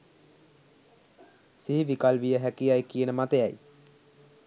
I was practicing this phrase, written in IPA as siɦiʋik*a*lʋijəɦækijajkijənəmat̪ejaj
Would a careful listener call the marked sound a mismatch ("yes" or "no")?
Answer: no